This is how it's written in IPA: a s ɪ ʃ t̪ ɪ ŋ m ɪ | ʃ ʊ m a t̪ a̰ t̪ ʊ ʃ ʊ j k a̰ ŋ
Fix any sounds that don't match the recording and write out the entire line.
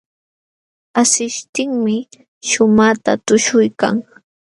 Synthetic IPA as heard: a s ɪ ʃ t̪ ɪ ŋ m ɪ | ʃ ʊ m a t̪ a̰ t̪ ʊ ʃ ʊ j k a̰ ŋ